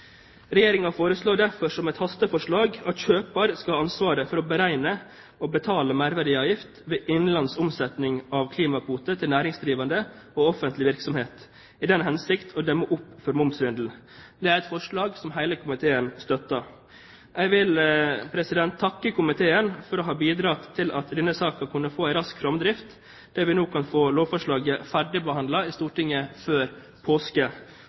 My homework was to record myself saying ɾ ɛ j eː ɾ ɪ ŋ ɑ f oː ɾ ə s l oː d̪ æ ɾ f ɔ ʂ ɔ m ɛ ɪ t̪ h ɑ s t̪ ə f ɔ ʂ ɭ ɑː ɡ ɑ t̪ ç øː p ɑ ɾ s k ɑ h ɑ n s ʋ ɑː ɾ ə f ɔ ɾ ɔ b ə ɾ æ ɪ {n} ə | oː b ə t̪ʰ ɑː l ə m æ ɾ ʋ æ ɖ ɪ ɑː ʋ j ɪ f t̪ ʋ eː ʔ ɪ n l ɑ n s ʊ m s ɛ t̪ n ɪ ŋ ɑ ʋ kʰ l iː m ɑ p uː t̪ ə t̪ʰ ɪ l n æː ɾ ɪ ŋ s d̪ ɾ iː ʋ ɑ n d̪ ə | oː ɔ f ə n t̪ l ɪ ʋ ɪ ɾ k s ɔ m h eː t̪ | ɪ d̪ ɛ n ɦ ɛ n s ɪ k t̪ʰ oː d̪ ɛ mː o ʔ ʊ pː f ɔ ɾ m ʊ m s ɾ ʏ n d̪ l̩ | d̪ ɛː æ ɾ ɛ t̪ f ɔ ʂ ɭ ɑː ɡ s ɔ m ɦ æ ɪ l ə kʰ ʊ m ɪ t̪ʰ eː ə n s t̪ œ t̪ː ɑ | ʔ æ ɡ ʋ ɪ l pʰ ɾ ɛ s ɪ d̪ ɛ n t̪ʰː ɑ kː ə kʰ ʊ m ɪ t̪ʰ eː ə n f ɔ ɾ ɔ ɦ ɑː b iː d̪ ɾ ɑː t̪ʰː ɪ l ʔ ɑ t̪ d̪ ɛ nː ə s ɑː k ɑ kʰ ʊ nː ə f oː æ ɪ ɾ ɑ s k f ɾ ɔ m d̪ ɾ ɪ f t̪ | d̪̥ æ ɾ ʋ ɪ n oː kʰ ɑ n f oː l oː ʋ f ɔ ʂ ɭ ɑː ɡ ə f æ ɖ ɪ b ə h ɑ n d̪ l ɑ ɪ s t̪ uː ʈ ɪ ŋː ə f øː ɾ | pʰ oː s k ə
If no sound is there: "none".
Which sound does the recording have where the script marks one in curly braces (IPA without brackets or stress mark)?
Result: n